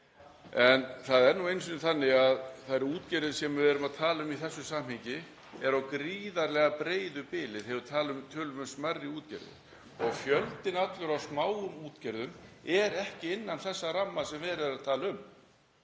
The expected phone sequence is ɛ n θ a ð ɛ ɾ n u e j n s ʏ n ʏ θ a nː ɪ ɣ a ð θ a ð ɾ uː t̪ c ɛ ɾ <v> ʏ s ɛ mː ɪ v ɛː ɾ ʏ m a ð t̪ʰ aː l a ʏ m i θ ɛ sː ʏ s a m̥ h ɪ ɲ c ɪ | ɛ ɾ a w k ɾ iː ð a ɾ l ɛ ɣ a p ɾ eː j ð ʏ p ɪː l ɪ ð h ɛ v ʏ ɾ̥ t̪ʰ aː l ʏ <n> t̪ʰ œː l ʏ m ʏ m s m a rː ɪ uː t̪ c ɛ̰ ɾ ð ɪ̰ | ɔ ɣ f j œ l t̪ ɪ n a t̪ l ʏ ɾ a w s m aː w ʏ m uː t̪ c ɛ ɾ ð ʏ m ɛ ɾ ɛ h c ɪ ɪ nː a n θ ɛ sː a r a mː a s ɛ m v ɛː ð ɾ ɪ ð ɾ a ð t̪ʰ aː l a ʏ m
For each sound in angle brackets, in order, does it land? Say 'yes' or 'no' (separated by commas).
no, no